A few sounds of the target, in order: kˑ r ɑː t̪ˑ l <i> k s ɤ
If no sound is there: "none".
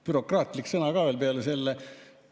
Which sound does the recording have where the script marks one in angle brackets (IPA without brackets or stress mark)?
i